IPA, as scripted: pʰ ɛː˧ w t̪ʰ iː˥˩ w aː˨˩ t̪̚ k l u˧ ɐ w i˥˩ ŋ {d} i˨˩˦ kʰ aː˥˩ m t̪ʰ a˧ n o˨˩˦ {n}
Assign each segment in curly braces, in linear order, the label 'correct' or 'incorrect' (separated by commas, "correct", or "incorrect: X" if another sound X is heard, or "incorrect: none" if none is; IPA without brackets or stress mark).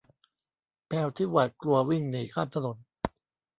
incorrect: n, correct